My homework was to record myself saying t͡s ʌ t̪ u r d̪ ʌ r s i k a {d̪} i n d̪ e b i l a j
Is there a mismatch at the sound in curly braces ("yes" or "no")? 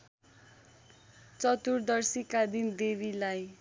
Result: no